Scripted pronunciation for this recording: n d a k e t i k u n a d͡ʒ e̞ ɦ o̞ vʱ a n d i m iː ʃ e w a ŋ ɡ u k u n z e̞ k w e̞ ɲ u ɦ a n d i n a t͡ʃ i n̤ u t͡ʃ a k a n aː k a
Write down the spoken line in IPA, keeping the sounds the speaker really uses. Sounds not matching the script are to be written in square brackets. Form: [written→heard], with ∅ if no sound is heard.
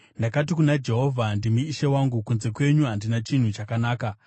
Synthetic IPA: n d a k [e→a] t i k u n a d͡ʒ e̞ ɦ o̞ vʱ a n d i m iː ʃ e w a ŋ ɡ u k u n z e̞ k w e̞ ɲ u ɦ a n d i n a t͡ʃ i n̤ u t͡ʃ a k a n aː k a